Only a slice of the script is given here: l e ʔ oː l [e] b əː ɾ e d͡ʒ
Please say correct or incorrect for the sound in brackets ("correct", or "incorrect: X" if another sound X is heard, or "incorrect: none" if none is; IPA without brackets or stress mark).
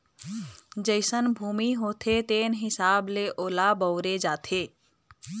incorrect: a